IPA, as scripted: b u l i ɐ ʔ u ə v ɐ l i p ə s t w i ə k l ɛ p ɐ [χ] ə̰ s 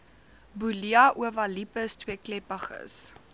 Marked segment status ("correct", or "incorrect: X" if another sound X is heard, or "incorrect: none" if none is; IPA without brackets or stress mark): correct